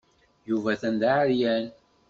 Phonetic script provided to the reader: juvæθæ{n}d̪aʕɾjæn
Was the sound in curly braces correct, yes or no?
yes